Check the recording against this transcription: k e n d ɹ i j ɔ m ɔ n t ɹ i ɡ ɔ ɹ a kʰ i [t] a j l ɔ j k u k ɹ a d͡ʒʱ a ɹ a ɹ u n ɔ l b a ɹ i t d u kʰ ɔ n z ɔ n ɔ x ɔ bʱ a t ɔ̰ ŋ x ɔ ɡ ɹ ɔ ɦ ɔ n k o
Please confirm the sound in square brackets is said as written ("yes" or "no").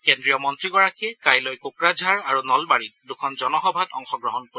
no